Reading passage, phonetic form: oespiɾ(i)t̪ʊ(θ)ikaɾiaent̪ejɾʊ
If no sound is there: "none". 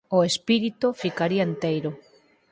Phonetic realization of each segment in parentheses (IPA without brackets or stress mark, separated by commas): i, f